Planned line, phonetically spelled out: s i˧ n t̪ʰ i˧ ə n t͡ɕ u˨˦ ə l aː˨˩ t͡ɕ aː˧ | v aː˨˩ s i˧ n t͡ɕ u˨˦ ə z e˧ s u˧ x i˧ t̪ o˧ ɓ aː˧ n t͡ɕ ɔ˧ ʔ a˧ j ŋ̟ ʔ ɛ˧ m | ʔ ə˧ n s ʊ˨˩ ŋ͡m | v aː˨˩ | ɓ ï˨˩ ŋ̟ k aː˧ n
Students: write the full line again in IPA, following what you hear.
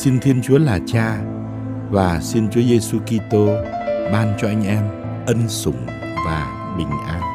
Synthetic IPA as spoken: s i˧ n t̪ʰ i˧ ə n t͡ɕ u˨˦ ə l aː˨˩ t͡ɕ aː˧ | v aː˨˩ s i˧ n t͡ɕ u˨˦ ə z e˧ s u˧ k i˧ t̪ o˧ ɓ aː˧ n t͡ɕ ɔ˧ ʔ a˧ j ŋ̟ ʔ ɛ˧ m | ʔ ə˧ n s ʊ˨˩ ŋ͡m | v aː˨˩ | ɓ ï˨˩ ŋ̟ ʔ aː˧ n